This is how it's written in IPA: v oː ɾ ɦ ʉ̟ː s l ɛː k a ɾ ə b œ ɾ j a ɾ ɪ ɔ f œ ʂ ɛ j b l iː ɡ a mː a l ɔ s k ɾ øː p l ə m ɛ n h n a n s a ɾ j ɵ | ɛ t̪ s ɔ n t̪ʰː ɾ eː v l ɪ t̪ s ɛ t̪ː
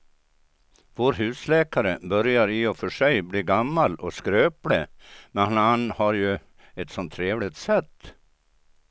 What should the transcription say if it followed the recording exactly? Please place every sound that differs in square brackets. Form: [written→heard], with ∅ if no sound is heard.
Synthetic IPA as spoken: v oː ɾ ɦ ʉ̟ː s l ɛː k a ɾ ə b œ ɾ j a ɾ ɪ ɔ f œ ʂ ɛ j b l iː ɡ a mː a l ɔ s k ɾ øː p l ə m ɛ n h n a n [s→h] a ɾ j ɵ | ɛ t̪ s ɔ n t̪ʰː ɾ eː v l ɪ t̪ s ɛ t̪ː